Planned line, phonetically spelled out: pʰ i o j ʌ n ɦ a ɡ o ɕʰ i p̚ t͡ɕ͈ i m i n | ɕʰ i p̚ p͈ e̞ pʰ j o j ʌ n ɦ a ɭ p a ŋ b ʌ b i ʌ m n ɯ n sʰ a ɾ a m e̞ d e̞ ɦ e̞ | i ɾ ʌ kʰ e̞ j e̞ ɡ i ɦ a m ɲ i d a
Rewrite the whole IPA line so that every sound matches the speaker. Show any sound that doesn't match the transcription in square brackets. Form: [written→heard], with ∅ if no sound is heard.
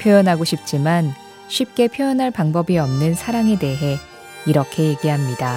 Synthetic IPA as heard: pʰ [i→j] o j ʌ n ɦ a ɡ o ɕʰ i p̚ t͡ɕ͈ i m [i→a] n | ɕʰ i p̚ [p͈→k͈] e̞ pʰ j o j ʌ n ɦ a ɭ p a ŋ b ʌ b i ʌ m n ɯ n sʰ a ɾ a [m→ŋ] e̞ d e̞ ɦ e̞ | i ɾ ʌ kʰ e̞ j e̞ ɡ i ɦ a m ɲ i d a